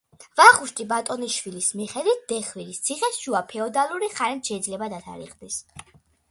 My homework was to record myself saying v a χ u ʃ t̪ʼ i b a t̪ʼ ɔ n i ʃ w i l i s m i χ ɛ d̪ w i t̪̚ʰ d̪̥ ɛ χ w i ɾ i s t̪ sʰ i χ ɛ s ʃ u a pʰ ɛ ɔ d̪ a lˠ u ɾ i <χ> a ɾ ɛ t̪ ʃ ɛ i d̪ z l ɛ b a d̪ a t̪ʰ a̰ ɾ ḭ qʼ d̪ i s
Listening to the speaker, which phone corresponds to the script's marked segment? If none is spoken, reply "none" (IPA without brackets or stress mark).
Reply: χ